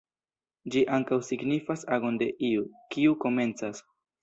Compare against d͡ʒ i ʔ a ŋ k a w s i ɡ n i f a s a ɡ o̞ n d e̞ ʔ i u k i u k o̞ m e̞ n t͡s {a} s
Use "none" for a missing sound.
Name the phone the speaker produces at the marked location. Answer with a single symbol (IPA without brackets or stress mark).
a